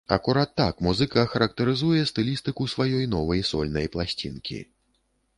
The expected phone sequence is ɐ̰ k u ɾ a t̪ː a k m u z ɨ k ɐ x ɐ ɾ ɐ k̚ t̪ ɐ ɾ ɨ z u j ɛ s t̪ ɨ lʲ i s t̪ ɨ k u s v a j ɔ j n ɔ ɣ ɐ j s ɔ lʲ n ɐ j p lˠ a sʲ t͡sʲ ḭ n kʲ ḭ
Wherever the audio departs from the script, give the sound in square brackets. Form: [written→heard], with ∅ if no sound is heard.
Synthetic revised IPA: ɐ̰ k u ɾ a t̪ː a k m u z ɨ k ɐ x ɐ ɾ ɐ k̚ t̪ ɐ ɾ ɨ z u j ɛ s t̪ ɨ lʲ i s t̪ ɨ k u s v a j ɔ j n ɔ [ɣ→v] ɐ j s ɔ lʲ n ɐ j p lˠ a sʲ t͡sʲ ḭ n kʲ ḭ